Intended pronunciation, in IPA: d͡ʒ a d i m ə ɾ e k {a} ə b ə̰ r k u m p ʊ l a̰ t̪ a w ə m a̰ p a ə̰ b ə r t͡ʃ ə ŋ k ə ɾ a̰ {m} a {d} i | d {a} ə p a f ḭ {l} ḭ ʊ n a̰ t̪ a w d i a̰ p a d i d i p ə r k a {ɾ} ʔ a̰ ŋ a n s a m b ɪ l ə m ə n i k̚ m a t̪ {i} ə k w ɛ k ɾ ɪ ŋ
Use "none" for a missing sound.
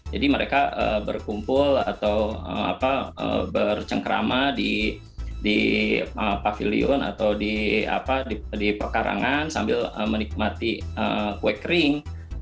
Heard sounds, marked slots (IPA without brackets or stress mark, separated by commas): a, m, d, i, l, ɾ, i